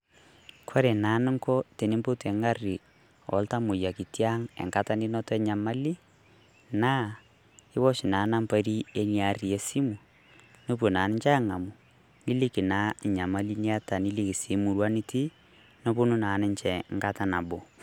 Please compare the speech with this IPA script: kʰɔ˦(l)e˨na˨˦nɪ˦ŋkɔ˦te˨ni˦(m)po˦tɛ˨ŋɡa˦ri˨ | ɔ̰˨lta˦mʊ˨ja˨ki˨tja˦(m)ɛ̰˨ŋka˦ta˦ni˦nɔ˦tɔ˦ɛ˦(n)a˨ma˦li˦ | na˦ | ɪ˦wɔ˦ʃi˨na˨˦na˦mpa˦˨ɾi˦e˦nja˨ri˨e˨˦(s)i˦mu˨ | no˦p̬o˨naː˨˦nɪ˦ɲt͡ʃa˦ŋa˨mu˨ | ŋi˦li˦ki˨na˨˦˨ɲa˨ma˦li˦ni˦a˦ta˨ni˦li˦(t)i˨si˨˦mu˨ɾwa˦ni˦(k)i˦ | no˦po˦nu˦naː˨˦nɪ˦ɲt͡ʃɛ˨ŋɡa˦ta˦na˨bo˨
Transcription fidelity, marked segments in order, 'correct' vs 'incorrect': incorrect, correct, incorrect, incorrect, correct, incorrect, incorrect

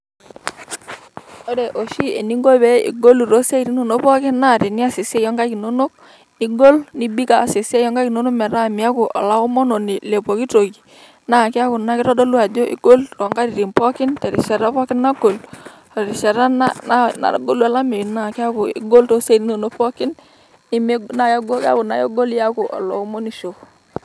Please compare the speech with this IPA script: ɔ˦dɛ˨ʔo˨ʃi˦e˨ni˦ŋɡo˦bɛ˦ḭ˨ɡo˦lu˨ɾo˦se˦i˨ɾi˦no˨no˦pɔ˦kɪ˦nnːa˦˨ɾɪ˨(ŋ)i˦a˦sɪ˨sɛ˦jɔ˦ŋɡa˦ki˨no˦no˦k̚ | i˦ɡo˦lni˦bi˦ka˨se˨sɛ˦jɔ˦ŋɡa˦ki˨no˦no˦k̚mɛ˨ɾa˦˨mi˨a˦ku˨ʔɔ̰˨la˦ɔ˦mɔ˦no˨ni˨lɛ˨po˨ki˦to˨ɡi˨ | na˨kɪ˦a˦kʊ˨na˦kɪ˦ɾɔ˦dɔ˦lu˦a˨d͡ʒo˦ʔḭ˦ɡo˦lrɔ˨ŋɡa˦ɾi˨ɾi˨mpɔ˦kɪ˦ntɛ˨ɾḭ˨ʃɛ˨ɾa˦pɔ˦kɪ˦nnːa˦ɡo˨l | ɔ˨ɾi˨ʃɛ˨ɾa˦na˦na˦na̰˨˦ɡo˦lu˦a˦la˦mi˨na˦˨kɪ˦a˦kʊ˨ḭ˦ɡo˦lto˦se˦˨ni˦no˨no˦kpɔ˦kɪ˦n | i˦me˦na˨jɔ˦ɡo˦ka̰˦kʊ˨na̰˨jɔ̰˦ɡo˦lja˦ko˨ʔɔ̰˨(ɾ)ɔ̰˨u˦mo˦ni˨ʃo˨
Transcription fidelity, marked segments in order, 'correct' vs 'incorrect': incorrect, incorrect

